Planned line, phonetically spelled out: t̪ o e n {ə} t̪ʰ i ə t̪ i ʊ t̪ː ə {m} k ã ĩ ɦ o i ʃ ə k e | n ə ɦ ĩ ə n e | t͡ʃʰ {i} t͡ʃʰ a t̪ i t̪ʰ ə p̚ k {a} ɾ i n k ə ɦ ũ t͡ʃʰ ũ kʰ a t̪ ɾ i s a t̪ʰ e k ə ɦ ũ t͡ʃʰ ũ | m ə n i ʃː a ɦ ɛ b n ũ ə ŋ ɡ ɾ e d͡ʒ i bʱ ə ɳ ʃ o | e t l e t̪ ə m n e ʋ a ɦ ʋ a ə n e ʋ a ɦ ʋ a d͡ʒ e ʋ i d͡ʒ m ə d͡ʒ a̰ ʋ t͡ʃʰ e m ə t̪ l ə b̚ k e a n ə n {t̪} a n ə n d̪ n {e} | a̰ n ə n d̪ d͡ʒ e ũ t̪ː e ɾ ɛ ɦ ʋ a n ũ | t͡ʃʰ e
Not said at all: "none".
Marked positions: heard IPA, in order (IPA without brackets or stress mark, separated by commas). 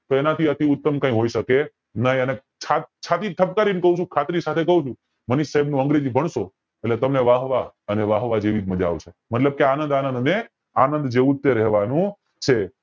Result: a, m, a, a, d̪, e